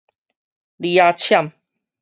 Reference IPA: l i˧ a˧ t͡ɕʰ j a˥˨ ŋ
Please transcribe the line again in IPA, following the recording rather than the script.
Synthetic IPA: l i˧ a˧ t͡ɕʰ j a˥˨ m